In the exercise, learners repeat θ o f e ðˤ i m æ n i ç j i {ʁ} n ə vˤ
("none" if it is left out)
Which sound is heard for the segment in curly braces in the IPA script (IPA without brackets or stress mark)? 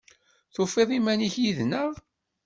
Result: ð